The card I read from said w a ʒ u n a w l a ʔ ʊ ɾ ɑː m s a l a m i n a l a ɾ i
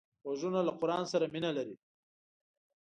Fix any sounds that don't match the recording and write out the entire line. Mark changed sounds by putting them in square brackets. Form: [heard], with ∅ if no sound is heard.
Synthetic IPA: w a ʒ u n a [∅] l a [q] ʊ ɾ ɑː [n] s a [ɾ] a m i n a l a ɾ i